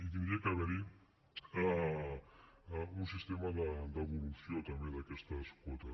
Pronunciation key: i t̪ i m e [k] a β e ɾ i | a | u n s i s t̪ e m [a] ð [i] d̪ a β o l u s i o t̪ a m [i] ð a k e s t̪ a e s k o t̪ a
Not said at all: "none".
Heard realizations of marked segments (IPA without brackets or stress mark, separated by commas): k, a, a, e